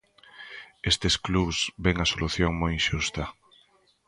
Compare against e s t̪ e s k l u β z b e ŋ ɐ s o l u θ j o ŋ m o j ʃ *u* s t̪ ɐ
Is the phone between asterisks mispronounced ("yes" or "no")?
no